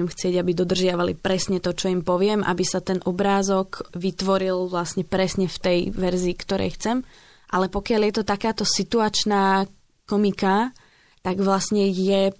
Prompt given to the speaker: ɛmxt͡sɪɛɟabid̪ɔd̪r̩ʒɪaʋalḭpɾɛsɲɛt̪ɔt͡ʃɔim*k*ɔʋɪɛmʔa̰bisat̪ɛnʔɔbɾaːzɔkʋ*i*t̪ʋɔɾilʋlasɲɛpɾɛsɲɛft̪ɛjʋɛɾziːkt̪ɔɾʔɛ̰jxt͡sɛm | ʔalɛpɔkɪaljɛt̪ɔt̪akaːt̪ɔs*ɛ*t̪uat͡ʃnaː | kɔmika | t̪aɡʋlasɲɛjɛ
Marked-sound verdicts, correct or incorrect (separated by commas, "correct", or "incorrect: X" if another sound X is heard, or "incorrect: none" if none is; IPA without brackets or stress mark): incorrect: p, correct, incorrect: i